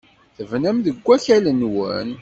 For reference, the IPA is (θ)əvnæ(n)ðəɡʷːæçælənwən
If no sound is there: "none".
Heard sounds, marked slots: θ, m

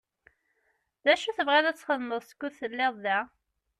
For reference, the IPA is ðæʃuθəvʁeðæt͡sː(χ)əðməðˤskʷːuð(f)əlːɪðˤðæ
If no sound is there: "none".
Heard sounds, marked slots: χ, θ

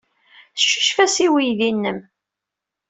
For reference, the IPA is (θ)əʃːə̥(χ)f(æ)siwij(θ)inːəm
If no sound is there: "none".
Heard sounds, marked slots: θ, ʃ, æ, ð

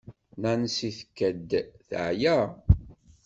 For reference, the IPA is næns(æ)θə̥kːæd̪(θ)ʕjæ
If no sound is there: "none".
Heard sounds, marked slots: i, θ

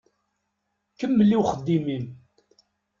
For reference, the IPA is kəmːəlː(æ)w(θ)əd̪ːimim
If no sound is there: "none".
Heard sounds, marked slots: i, χ

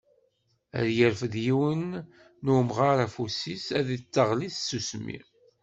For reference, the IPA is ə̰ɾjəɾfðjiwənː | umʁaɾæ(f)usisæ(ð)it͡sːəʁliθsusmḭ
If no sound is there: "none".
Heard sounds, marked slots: f, ð

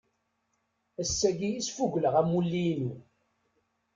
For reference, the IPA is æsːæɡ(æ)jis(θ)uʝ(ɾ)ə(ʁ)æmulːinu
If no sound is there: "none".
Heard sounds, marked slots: i, f, l, ʁ

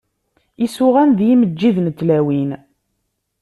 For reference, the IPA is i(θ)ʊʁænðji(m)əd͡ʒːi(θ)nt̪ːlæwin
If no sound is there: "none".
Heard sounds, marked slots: s, m, ð

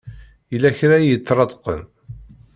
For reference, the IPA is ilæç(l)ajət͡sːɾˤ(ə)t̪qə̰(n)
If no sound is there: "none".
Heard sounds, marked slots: ɾ, ɑ, n

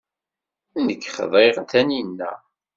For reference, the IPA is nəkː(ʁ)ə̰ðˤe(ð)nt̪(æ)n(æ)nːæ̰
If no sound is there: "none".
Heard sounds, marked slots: χ, ʁ, æ, i

